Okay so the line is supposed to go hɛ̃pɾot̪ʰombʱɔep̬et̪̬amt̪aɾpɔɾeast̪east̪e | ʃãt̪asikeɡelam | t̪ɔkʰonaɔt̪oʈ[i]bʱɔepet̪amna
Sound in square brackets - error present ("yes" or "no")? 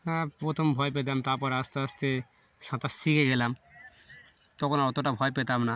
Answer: yes